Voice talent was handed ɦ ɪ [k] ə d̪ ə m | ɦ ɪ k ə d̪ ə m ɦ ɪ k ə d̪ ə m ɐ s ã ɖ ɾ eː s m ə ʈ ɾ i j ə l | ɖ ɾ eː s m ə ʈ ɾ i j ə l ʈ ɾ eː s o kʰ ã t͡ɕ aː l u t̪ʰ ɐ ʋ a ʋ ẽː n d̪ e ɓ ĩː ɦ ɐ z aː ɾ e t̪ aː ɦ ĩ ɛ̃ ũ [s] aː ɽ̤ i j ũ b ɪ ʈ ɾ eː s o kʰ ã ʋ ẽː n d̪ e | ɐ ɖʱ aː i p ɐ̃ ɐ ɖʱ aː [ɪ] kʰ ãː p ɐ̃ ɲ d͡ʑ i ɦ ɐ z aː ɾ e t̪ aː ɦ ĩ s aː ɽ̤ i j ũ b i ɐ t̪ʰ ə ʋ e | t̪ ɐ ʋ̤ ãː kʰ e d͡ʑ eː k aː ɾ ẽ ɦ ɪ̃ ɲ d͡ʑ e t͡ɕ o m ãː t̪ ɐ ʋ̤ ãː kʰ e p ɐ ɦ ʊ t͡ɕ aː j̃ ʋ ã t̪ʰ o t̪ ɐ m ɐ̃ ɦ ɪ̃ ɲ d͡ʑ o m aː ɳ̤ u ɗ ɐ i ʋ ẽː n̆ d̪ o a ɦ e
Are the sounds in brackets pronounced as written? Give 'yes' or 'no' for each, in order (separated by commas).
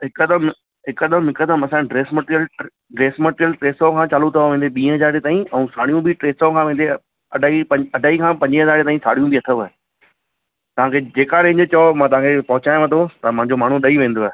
yes, yes, no